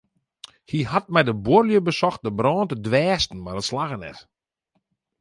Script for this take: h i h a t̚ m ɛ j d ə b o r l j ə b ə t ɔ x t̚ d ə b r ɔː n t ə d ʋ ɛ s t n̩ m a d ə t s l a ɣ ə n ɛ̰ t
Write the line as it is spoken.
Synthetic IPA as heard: h i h a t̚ m ɛ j d ə b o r l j ə b ə s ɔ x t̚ d ə b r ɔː n t ə d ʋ ɛː s t n̩ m a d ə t s l a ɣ ə n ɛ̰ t